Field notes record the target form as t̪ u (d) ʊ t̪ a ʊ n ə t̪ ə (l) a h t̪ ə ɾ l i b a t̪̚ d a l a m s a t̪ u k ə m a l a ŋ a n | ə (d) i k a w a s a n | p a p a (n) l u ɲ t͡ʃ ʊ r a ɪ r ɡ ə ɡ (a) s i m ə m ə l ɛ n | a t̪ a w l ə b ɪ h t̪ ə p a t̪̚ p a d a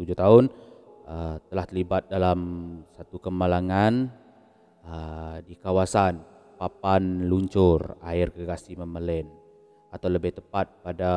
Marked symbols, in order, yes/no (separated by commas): no, yes, yes, yes, yes